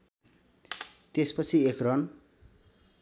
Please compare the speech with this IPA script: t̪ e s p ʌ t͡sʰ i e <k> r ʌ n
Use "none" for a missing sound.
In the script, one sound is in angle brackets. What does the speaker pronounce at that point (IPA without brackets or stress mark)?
k